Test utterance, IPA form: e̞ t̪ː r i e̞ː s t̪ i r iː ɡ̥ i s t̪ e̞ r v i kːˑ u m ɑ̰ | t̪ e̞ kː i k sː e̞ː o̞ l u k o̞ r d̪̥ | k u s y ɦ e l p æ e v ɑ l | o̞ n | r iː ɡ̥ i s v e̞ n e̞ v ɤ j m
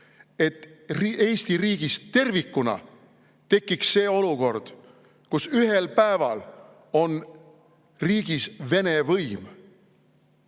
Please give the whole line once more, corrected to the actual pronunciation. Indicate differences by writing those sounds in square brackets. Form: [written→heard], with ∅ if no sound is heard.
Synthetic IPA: e̞ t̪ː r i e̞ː s t̪ i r iː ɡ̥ i s t̪ e̞ r v i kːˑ u [m→n] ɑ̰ | t̪ e̞ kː i k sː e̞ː o̞ l u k o̞ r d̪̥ | k u s y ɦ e l p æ e v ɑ l | o̞ n | r iː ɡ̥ i s v e̞ n e̞ v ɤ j m